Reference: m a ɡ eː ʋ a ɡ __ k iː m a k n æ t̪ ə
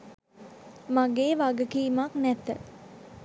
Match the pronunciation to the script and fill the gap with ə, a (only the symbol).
ə